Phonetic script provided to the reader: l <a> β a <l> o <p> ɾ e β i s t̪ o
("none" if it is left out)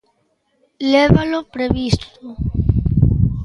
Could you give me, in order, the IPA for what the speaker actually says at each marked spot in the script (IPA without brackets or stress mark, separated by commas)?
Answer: e, l, p